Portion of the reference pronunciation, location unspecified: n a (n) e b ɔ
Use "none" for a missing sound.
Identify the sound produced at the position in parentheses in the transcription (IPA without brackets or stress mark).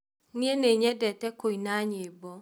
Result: ɲ